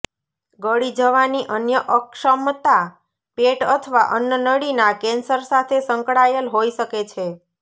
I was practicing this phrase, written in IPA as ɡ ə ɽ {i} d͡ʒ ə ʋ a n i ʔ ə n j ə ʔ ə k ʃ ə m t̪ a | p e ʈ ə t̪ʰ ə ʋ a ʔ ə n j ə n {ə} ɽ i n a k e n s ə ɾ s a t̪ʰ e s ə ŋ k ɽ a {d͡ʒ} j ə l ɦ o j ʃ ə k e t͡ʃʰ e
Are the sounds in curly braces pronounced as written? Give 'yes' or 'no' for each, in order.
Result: yes, yes, no

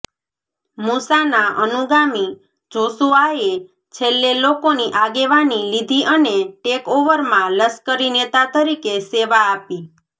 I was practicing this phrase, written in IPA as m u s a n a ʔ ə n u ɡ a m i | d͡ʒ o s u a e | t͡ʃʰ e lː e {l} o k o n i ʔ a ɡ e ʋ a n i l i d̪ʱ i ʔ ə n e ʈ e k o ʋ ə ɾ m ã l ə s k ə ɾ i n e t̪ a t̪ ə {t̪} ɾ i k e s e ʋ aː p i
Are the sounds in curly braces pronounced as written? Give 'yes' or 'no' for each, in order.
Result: yes, no

